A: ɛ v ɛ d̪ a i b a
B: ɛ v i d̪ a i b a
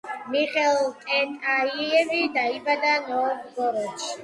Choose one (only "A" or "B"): B